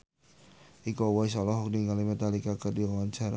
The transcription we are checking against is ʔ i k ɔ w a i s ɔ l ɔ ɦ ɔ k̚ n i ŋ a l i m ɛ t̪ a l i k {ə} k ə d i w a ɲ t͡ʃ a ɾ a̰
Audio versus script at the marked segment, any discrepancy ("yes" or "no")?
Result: yes